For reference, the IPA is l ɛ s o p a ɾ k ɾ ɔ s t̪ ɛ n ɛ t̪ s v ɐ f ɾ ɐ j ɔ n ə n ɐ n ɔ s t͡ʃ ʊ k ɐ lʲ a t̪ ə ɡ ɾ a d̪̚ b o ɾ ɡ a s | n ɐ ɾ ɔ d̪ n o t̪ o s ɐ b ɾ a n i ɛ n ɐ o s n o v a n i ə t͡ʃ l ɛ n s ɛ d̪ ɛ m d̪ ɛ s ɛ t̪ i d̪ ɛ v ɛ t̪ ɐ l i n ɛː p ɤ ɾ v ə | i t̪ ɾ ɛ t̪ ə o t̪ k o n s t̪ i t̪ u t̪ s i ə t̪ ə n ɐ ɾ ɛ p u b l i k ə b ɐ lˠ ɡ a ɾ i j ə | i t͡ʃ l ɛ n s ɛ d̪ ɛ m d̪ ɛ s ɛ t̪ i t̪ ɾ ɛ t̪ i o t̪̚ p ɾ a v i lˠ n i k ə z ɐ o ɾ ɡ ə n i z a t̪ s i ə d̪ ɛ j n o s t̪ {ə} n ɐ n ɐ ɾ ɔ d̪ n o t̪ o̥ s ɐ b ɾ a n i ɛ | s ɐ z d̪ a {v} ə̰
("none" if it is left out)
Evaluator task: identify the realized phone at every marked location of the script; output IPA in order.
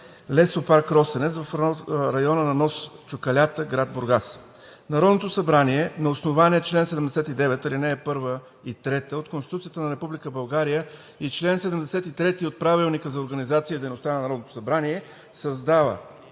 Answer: a, v

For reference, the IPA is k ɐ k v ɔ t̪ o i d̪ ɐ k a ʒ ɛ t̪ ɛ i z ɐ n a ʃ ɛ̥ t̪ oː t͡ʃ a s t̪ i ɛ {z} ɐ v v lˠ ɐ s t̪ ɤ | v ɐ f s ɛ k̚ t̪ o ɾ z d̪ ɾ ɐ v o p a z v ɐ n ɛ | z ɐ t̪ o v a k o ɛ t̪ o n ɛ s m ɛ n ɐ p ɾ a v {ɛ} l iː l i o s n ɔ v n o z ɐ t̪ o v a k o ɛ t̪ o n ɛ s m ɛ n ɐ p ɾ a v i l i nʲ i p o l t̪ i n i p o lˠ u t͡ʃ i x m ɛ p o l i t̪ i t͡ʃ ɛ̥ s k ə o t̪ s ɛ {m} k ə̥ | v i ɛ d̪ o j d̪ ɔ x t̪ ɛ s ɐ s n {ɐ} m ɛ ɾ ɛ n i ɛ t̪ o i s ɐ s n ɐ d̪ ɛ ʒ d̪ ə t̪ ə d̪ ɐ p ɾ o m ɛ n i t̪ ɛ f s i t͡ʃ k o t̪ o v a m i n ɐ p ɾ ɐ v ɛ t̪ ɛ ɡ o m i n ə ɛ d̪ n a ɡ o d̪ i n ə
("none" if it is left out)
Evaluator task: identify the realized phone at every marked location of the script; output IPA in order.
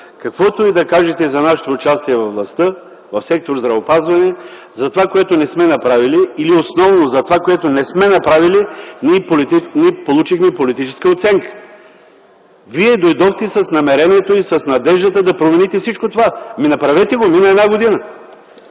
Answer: v, i, ŋ, ɐ

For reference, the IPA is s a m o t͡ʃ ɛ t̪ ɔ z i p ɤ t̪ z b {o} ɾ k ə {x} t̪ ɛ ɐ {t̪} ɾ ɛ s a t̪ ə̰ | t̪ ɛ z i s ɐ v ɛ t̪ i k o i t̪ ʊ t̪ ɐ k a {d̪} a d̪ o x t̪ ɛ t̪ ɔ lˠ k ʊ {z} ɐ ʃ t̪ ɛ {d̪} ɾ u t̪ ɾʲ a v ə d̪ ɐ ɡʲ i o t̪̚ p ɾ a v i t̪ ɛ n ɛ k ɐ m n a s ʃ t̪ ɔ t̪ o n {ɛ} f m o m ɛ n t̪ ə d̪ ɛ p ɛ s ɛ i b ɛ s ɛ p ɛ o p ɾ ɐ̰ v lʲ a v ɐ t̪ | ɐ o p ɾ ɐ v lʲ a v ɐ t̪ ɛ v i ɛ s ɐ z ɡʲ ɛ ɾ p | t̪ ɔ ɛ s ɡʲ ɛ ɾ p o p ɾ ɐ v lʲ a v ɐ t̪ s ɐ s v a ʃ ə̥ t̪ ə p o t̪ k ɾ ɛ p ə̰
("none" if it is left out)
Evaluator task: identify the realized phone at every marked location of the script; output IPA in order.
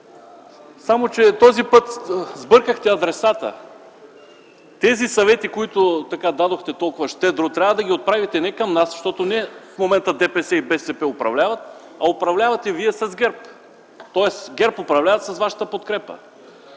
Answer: ɤ, x, d̪, d̪, v, d̪, ɛ

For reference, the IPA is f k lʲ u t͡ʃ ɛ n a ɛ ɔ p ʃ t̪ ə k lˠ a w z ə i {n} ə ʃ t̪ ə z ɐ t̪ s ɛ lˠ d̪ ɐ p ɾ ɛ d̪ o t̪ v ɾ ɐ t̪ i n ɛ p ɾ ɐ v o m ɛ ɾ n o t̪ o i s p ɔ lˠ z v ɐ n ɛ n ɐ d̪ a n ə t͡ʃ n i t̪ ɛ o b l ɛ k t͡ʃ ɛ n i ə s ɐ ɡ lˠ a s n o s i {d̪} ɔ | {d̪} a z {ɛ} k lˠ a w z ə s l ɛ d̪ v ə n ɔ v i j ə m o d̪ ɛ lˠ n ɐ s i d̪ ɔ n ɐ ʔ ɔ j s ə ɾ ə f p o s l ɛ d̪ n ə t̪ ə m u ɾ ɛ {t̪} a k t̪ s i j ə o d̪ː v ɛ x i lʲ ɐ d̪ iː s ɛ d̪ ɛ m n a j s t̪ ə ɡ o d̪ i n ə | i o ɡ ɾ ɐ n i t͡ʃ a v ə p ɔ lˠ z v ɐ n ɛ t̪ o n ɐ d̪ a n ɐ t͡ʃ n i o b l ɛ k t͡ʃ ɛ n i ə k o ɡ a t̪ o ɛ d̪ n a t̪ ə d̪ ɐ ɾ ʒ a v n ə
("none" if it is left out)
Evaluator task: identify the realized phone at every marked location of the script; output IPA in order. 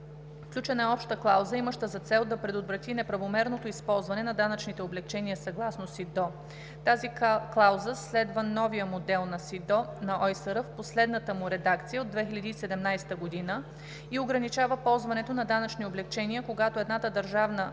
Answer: m, d̪, t̪, i, d̪

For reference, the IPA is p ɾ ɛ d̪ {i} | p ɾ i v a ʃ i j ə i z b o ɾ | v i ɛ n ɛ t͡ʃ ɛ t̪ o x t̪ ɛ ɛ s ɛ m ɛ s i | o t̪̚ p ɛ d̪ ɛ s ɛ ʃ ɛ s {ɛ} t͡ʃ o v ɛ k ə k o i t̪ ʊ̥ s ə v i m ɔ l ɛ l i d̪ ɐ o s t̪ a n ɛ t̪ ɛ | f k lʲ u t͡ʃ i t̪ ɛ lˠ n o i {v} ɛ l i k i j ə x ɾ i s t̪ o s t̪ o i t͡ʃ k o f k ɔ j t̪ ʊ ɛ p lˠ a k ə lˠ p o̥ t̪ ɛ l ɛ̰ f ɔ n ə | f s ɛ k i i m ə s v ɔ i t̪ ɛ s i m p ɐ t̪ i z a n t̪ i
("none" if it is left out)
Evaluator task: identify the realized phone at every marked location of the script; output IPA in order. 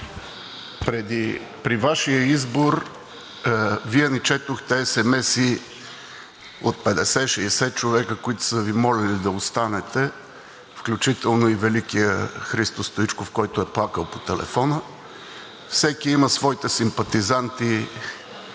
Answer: i, ɛ, v

